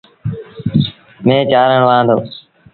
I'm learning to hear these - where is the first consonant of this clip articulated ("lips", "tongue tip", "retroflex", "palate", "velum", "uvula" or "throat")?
lips